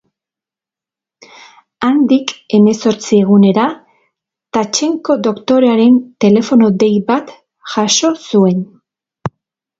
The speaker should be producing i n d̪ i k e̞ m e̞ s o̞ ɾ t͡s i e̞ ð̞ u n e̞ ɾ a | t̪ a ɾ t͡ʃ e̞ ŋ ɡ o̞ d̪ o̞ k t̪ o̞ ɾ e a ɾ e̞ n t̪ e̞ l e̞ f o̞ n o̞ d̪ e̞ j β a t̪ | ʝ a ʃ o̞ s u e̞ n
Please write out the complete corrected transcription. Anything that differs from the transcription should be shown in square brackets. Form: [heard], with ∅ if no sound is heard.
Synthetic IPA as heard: [a] n d̪ i k e̞ m e̞ s o̞ ɾ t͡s i e̞ [ɣ̞] u n e̞ ɾ a | t̪ a [∅] t͡ʃ e̞ ŋ [k] o̞ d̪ o̞ k t̪ o̞ ɾ e a ɾ e̞ n t̪ e̞ l e̞ f o̞ n o̞ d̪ e̞ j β a t̪ | ʝ a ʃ o̞ s u e̞ n